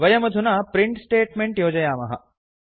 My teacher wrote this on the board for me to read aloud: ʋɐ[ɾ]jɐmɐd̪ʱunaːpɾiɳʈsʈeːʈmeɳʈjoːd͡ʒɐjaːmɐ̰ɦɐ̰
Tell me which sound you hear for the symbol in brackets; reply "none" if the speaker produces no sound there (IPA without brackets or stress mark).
none